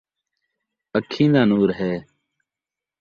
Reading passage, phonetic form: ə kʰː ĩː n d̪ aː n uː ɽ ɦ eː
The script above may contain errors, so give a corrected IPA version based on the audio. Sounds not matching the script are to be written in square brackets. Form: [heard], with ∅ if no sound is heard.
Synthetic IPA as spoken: ə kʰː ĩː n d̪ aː n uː [ɾ] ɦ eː